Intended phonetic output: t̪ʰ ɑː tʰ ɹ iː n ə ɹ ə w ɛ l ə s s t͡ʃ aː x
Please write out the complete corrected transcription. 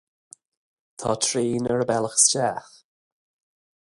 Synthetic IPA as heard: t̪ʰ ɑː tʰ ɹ iː n ə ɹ ə b ɛ l ə x s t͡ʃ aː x

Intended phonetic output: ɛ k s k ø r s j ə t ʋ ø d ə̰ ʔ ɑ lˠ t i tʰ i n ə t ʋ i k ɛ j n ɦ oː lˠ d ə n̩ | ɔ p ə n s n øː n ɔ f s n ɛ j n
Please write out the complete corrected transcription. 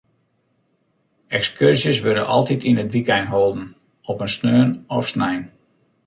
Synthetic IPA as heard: ɛ k s k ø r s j ə s ʋ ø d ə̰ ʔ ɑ lˠ t i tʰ i n ə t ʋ i k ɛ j n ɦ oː lˠ d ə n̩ | ɔ p ə n s n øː n ɔ f s n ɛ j n

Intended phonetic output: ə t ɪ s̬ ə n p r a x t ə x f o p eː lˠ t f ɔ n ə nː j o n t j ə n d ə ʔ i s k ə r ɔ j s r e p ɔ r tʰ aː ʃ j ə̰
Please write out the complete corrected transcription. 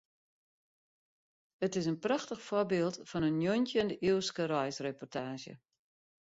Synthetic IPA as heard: ə t ɪ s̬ ə n p r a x t ə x f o b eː lˠ t f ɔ n ə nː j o n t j ə n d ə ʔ i s k ə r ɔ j s r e p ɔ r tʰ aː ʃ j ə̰

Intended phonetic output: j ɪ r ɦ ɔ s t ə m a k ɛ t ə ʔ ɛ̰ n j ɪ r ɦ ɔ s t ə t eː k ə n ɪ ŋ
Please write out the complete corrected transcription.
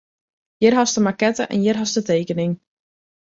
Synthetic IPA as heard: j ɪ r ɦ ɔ s t ə m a k ɛ t ə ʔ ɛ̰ n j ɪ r ɦ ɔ s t ə t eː k ə n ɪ ŋ

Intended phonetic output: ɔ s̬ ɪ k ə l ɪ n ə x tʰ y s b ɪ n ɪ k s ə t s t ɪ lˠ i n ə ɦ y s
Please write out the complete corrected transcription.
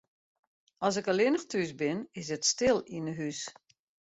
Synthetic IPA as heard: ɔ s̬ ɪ k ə l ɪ n ə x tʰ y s b ɪ n ɪ s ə t s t ɪ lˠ i n ə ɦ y s

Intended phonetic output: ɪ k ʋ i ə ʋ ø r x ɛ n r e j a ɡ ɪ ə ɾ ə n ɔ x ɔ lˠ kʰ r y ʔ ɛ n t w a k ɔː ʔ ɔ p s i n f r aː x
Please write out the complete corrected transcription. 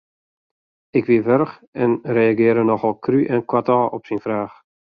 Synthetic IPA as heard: ɪ k ʋ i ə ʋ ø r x ɛ n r e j a ɡ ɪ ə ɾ ə n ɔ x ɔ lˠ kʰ r y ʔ ɛ n k w a t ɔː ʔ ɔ p s i n f r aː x

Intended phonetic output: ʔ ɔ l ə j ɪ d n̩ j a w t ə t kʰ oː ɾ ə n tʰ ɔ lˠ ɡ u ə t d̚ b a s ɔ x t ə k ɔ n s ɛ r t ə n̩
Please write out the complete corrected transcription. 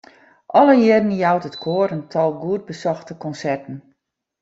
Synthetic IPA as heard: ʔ ɔ l ə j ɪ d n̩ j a w t ə t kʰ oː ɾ ə n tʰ ɔ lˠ ɡ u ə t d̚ b ə s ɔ x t ə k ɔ n s ɛ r t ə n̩

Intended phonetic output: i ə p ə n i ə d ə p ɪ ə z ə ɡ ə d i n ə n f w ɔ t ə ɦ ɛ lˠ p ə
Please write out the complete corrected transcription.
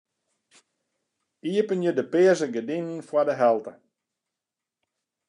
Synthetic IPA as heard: i ə p ə n j ə d ə p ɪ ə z ə ɡ ə d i n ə n f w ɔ d ə ɦ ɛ lˠ t ə

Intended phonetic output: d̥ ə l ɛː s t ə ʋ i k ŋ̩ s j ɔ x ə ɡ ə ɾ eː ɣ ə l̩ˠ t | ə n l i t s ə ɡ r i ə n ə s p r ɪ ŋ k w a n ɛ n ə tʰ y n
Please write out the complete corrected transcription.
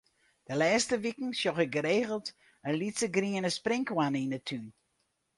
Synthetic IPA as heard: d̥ ə l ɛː s t ə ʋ i k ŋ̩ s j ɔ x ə ɡ ə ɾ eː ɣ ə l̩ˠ t | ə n l i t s ə ɡ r i ə n ə s p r ɪ ŋ k w a n i n ə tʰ y n

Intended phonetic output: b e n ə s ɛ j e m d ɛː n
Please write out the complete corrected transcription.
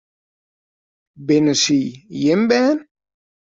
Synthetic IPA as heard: b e n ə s i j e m b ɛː n

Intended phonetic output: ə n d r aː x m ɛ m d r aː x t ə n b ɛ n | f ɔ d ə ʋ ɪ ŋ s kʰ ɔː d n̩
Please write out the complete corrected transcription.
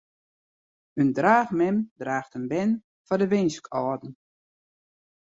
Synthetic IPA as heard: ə n d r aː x m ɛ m d r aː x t ə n b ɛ n | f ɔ d ə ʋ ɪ n s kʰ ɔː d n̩

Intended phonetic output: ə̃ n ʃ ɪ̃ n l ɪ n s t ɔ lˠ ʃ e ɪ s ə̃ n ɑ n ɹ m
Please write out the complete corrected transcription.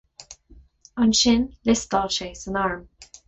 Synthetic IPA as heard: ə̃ n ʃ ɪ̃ n l ɪ s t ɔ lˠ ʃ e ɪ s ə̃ n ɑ ɹ m

